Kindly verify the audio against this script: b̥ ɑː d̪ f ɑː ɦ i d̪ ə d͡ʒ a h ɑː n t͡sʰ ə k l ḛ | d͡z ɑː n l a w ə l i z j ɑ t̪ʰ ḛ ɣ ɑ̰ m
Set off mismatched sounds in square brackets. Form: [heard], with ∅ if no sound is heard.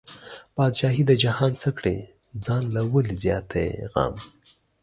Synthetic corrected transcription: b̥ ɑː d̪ [ʃ] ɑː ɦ i d̪ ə d͡ʒ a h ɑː n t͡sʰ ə k [ɽ] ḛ | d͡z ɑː n l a w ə l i z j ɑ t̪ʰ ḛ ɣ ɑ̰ m